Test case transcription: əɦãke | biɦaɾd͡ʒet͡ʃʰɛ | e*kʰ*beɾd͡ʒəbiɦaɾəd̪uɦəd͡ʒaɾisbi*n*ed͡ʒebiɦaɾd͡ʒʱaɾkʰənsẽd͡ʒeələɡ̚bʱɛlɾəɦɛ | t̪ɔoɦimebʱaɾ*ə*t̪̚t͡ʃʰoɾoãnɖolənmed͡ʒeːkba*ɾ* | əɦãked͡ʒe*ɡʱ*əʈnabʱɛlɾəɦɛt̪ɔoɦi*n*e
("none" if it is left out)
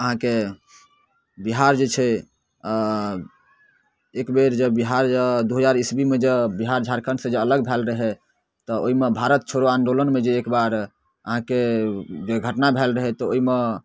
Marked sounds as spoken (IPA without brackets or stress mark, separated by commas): k, m, ə, ɾ, ɡʱ, m